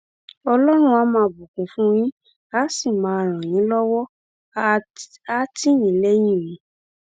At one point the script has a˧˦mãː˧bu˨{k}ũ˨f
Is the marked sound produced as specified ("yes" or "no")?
yes